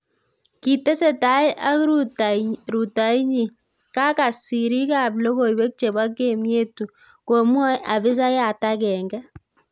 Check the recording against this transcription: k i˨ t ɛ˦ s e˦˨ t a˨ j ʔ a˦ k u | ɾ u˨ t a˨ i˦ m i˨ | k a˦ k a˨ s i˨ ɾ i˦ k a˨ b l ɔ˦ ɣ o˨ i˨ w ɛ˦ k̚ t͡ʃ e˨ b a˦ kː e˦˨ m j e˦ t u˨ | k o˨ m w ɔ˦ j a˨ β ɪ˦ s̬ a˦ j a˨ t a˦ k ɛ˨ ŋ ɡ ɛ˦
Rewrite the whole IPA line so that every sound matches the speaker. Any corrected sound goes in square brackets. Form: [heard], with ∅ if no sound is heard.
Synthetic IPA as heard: k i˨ t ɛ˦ s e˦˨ t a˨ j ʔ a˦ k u | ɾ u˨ t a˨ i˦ [ɲ] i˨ | k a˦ k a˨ s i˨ ɾ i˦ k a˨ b l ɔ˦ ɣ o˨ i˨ w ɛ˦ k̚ t͡ʃ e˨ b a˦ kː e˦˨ m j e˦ t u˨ | k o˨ m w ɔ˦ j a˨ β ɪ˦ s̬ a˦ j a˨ t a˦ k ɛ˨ ŋ ɡ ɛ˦